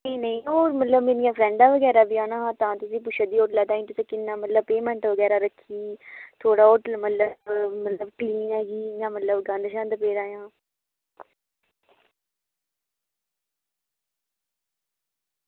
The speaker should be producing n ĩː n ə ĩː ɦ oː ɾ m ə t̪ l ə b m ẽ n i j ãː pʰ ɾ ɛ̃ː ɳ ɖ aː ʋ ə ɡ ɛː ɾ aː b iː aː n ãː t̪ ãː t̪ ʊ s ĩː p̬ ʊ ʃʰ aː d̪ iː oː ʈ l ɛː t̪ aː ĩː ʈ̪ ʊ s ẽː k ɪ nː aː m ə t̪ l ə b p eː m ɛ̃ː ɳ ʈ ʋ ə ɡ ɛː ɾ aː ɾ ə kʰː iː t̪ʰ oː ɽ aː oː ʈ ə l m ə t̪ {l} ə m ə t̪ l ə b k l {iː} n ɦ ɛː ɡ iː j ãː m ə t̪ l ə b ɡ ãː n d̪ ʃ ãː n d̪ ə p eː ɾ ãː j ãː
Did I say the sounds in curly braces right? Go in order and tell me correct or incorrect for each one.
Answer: correct, correct

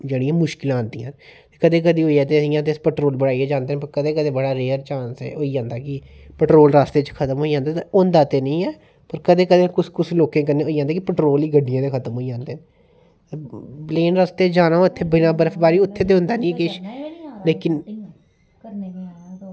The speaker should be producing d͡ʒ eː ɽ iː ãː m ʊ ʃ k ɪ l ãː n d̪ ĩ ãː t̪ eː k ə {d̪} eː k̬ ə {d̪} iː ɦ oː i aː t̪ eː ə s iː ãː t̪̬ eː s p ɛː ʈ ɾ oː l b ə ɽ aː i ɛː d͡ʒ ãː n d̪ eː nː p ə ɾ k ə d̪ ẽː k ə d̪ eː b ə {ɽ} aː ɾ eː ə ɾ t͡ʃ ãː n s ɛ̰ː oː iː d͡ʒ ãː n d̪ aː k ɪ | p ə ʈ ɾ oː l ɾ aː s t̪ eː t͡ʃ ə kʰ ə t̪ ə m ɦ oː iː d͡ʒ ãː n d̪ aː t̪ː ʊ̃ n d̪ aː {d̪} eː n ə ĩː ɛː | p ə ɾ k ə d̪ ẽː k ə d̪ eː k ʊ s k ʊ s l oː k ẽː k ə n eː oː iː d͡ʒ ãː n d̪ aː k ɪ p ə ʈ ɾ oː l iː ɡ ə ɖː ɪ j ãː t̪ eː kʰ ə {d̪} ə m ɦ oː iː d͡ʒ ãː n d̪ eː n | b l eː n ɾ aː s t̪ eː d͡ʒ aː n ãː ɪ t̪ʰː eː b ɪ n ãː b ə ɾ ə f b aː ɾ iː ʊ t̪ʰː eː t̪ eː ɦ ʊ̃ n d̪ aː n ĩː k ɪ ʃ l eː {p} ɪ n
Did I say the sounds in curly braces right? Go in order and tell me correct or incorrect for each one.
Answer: correct, correct, correct, incorrect: t̪, incorrect: t̪, incorrect: k

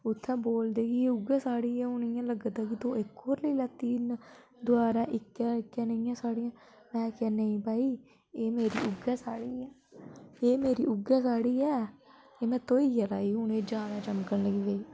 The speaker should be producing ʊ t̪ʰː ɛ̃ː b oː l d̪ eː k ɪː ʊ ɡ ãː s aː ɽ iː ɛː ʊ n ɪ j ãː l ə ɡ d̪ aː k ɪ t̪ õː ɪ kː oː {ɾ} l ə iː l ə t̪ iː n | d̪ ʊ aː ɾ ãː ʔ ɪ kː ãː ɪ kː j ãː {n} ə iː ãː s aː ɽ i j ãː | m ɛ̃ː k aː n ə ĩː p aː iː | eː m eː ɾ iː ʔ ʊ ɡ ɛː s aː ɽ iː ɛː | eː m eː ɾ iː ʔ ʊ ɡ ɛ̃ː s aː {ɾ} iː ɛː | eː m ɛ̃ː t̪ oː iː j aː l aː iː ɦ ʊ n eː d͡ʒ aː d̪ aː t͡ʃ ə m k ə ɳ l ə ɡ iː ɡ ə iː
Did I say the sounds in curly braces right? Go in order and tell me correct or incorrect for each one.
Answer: correct, correct, incorrect: ɽ

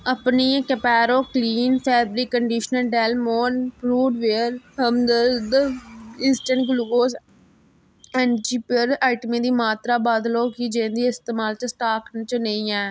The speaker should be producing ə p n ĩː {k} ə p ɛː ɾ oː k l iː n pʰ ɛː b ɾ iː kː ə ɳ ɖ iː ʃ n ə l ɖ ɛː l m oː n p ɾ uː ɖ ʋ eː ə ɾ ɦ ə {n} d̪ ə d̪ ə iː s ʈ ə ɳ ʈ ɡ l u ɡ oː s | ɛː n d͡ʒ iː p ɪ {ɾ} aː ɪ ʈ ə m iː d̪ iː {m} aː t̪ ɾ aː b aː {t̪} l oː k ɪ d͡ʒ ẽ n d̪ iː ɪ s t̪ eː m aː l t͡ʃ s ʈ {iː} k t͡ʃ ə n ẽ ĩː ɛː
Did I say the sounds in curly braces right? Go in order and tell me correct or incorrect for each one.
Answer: correct, incorrect: m, correct, correct, incorrect: d̪, incorrect: aː

